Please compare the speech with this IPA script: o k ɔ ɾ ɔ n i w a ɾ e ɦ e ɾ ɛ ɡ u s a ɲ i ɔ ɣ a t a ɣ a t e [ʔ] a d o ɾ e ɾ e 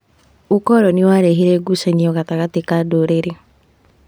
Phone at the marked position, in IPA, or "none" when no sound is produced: k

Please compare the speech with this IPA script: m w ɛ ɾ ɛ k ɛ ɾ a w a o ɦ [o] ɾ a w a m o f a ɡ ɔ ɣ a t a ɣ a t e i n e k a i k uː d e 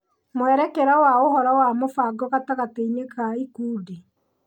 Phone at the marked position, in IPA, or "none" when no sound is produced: ɔ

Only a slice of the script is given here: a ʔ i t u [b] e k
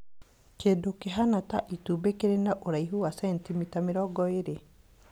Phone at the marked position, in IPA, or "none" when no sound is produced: b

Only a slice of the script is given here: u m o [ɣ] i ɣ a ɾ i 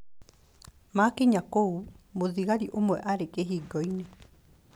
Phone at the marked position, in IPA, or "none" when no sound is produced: ð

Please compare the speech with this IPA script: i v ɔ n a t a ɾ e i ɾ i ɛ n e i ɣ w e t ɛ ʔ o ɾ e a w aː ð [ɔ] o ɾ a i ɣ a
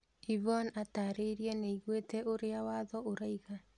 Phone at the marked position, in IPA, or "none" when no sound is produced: ɔ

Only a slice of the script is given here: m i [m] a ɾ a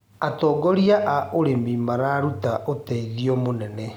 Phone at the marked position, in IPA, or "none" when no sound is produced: m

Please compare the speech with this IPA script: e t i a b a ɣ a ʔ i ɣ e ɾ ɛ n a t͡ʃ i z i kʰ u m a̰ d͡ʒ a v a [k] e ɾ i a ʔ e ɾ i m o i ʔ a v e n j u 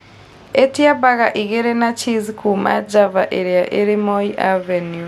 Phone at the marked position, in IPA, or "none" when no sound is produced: ʔ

